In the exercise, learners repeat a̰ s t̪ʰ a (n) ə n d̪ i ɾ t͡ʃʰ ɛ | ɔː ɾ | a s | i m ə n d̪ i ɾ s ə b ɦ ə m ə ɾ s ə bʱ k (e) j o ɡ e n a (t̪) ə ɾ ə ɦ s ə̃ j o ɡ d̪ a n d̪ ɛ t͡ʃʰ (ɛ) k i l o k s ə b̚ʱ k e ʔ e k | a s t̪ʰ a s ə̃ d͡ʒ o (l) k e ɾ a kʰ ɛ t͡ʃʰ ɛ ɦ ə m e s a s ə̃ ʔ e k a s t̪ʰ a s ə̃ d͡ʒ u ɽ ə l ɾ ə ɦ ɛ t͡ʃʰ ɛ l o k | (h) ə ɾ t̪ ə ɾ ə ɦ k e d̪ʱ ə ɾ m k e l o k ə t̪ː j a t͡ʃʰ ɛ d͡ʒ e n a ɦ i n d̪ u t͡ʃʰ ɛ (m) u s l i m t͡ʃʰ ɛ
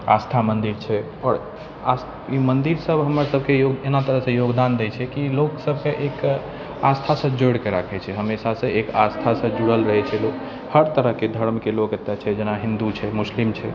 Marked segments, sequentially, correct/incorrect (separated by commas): incorrect, correct, correct, correct, incorrect, correct, correct